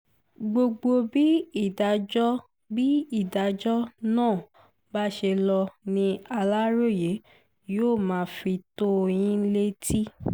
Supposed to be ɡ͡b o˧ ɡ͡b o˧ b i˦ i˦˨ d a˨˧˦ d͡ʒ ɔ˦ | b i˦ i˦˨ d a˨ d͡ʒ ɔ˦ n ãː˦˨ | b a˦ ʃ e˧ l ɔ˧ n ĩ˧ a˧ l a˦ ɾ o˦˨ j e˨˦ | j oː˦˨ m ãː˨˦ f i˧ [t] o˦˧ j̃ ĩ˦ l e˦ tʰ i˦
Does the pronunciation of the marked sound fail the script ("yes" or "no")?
no